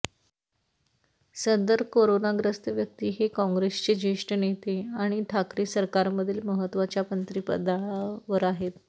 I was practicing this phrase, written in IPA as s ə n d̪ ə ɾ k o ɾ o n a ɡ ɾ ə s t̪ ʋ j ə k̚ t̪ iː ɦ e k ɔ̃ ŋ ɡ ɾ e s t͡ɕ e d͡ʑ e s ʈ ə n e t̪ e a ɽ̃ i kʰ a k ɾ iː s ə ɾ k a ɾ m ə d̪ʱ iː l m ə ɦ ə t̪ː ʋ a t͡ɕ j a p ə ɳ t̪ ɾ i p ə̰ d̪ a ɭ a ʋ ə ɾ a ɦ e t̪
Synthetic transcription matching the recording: s ə n d̪ ə ɾ k o ɾ o n a ɡ ɾ ə s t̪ ʋ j ə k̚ t̪ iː ɦ e k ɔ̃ ŋ ɡ ɾ e s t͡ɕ e d͡ʑ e ʂ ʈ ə n e t̪ e a ɽ̃ i ʈʰ a k ɾ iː s ə ɾ k a ɾ m ə d̪ʱ iː l m ə ɦ ə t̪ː ʋ a t͡ɕ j a p ə n t̪ ɾ i p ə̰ d̪ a ɭ a ʋ ə ɾ a ɦ e t̪